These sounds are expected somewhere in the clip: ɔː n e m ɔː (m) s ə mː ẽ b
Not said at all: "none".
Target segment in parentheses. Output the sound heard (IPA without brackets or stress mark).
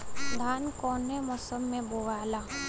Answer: none